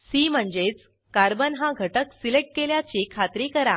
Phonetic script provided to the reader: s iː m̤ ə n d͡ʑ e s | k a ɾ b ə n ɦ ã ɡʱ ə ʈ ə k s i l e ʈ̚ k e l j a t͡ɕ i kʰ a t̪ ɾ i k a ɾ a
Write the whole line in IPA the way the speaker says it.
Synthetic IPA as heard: s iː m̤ ə ɳ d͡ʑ e t͡s | k a ɾ b ə n ɦ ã ɡʱ ə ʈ ə k s i l e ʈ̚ k e l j a t͡ɕ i kʰ a t̪ ɾ i k ə ɾ a